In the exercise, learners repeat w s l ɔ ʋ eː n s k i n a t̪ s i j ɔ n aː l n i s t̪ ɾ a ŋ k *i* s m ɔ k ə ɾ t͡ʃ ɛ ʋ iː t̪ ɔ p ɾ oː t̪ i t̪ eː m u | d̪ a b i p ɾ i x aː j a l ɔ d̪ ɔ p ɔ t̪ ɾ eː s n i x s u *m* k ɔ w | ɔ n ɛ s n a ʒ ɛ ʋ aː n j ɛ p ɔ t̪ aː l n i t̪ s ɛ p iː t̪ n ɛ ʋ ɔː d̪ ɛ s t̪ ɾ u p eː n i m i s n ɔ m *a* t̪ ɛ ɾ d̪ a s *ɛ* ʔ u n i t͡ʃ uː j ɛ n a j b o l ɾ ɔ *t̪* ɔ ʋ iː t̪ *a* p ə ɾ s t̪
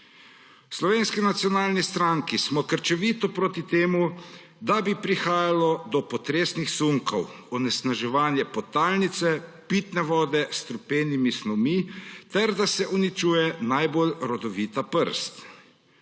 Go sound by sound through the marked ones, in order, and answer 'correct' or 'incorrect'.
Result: correct, incorrect: ŋ, incorrect: i, correct, incorrect: d̪, correct

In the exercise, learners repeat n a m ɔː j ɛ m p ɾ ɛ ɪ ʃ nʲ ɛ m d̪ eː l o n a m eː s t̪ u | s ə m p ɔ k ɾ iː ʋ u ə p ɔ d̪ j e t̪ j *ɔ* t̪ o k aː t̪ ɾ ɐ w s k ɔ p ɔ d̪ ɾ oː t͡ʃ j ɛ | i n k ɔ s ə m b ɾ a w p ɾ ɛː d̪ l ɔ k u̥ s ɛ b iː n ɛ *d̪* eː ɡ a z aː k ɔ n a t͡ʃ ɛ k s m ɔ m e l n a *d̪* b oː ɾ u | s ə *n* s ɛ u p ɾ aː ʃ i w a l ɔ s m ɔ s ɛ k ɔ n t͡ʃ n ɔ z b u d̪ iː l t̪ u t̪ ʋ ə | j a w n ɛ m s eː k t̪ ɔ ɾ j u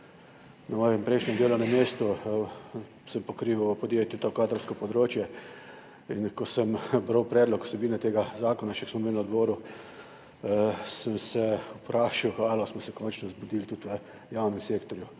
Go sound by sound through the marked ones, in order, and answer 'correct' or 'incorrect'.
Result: incorrect: u, incorrect: t̪, correct, incorrect: m

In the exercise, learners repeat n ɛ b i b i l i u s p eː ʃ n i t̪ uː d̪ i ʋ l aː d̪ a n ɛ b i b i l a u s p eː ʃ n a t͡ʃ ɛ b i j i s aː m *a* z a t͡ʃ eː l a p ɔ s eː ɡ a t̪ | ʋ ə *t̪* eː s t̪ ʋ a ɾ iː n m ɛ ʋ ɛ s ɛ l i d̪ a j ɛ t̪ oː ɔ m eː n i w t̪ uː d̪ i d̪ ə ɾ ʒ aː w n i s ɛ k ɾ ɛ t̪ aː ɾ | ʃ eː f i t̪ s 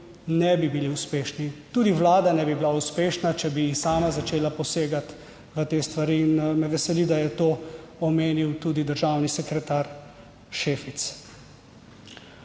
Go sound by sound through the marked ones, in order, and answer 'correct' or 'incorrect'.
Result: correct, correct

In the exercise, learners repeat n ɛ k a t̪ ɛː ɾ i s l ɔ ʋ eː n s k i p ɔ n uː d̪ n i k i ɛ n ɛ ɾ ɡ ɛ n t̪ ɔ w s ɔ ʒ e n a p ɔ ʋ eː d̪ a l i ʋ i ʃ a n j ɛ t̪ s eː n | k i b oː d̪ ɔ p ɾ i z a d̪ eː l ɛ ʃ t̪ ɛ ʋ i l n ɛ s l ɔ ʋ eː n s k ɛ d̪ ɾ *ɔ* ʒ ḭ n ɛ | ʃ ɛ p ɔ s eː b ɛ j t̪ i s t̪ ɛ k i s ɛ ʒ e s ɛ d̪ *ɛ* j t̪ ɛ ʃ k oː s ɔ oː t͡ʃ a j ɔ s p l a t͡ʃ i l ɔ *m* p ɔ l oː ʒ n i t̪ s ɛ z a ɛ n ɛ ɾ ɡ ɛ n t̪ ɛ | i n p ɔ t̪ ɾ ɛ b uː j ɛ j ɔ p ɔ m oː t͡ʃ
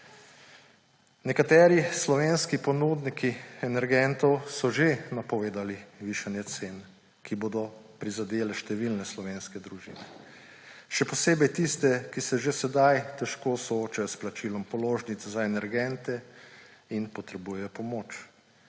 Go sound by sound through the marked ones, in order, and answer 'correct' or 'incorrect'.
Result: incorrect: u, incorrect: a, correct

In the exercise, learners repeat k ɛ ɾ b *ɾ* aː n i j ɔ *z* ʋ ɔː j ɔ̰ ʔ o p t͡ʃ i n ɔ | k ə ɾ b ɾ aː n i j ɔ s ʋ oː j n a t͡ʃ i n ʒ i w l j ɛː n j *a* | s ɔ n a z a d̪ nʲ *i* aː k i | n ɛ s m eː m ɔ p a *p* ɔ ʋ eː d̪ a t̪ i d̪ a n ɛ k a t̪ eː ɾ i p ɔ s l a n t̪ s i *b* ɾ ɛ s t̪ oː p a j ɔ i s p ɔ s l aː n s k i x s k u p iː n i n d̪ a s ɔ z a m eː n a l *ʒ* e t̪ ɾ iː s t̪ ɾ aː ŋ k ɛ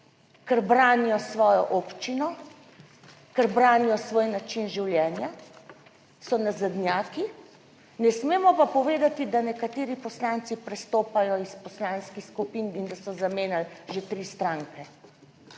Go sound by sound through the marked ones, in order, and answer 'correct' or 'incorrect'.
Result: correct, incorrect: s, correct, incorrect: j, correct, incorrect: p, correct

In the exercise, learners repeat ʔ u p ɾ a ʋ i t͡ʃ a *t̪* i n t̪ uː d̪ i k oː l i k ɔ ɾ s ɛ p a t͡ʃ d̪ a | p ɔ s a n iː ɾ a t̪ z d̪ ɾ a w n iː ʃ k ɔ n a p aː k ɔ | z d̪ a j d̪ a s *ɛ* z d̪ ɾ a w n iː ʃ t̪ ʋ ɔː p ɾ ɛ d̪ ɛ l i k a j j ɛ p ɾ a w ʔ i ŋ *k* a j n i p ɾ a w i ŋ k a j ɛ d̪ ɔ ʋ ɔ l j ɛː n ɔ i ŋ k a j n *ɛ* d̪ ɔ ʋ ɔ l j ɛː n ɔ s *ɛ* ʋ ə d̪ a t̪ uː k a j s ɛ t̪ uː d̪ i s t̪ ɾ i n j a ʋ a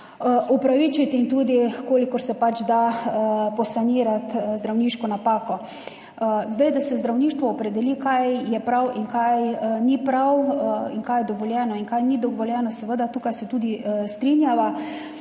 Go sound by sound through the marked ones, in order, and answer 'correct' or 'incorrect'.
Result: correct, correct, correct, incorrect: i, correct

